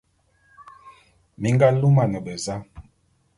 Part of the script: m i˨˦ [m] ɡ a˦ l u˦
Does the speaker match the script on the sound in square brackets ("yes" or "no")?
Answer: no